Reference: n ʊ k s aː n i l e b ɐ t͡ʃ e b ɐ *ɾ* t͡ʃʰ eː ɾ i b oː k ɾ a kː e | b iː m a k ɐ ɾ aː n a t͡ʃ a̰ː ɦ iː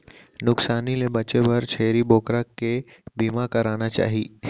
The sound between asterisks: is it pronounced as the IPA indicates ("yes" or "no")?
yes